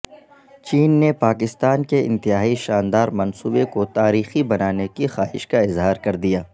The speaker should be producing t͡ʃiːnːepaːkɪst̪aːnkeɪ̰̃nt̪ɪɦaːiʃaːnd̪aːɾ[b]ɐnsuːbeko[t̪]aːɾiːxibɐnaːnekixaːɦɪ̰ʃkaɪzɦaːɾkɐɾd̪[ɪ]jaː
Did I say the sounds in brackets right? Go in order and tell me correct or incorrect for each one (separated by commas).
incorrect, correct, incorrect